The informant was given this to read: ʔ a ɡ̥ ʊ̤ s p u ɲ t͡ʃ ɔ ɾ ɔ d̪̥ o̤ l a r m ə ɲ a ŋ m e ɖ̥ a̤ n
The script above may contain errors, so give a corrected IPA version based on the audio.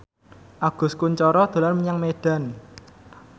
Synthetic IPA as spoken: ʔ a ɡ̥ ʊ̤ s k u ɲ t͡ʃ ɔ ɾ ɔ d̪̥ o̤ l a r m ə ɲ a ŋ m e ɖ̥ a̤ n